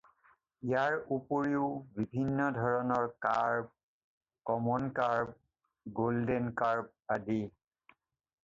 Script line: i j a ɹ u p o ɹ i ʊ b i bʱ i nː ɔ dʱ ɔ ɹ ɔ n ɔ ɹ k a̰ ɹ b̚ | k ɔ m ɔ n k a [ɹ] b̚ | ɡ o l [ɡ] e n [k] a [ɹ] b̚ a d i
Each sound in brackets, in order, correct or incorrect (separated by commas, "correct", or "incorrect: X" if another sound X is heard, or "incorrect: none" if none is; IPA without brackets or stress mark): correct, incorrect: d, correct, correct